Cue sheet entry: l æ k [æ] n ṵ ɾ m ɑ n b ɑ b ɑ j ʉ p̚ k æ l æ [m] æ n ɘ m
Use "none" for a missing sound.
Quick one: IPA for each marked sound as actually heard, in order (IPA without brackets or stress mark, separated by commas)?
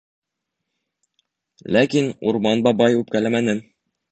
i, m